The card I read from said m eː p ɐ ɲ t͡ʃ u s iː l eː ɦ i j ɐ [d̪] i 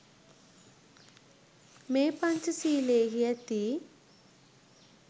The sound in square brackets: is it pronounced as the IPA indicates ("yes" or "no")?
no